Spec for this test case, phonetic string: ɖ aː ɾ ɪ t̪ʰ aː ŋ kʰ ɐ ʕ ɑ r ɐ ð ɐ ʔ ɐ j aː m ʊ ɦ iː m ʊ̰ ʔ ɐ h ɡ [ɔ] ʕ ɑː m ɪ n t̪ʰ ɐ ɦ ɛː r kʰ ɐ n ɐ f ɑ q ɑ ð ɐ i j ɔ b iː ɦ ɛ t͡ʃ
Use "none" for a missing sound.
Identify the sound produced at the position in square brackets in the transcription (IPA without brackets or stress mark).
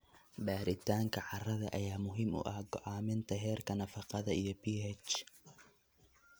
ɔ